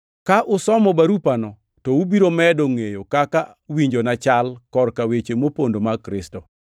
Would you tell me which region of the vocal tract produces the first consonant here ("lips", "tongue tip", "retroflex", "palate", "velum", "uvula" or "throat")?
velum